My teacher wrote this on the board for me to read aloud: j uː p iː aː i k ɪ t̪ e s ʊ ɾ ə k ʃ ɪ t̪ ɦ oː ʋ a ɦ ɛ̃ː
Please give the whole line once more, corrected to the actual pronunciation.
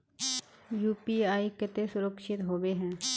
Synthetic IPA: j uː p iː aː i k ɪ t̪ e s ʊ ɾ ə k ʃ ɪ t̪ ɦ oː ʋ e ɦ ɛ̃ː